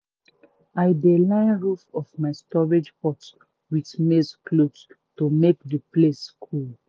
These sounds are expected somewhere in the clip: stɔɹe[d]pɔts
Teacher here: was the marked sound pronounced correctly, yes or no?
no